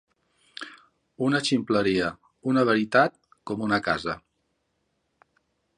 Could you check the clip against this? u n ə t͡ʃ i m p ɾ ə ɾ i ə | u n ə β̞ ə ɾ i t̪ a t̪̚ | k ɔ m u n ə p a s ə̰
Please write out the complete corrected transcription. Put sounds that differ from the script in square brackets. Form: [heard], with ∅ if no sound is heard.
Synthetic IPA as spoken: u n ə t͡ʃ i m p [l] ə ɾ i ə | u n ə β̞ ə ɾ i t̪ a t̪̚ | k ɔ m u n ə [k] a [z] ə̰